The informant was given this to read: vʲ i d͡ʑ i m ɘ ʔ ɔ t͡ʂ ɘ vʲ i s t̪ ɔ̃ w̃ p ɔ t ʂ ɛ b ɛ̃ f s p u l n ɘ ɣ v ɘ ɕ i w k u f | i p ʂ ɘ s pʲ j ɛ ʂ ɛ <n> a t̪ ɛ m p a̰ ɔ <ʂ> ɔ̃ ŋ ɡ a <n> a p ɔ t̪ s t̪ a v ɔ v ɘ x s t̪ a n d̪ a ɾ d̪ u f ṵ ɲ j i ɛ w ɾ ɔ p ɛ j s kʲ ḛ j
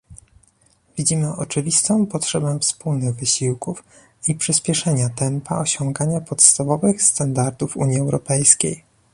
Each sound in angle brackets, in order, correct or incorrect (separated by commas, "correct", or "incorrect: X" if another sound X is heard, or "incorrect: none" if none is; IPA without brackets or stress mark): incorrect: ɲ, incorrect: ɕ, incorrect: ɲ